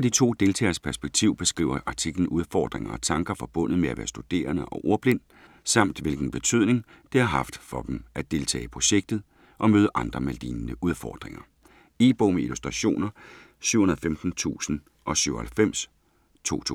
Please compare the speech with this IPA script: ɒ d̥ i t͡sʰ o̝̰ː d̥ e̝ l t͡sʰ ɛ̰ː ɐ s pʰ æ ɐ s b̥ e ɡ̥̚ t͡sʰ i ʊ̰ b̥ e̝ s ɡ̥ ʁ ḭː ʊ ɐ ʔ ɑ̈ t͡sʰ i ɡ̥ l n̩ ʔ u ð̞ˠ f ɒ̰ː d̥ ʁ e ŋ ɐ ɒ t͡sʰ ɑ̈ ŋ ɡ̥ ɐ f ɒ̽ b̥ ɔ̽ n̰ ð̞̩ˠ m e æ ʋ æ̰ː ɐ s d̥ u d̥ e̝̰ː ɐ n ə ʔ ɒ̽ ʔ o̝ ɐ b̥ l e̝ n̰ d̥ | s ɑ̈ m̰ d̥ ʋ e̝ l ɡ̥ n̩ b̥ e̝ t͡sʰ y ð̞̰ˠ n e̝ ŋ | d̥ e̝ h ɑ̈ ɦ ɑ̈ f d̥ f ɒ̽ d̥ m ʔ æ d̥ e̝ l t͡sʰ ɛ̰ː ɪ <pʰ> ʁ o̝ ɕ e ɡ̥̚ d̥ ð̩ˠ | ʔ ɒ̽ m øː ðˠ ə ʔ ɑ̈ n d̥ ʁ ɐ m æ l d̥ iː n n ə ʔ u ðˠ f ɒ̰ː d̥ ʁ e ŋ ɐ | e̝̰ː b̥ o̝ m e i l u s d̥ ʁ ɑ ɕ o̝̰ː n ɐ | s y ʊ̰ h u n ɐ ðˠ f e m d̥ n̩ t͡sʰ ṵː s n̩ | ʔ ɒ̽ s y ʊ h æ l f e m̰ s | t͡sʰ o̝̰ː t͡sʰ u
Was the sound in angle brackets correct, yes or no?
yes